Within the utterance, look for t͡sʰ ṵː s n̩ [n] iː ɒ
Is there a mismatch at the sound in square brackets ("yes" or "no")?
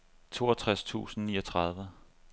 no